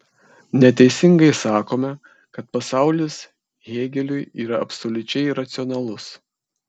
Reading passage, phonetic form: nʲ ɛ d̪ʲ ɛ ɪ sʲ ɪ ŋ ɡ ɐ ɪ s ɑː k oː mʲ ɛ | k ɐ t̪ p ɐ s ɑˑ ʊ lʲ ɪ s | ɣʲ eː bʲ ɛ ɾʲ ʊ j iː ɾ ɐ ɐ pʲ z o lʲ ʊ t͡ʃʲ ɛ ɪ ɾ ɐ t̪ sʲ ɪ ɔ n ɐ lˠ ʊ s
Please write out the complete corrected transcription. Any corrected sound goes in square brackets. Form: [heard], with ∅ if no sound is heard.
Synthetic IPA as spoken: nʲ ɛ [t̪ʲ] ɛ ɪ sʲ ɪ ŋ ɡ ɐ ɪ s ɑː k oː mʲ ɛ | k ɐ t̪ p ɐ s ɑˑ ʊ lʲ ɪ s | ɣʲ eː [ɡʲ] ɛ [lʲ] ʊ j iː ɾ ɐ ɐ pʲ [s] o lʲ ʊ t͡ʃʲ ɛ ɪ ɾ ɐ t̪ sʲ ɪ ɔ n ɐ lˠ ʊ s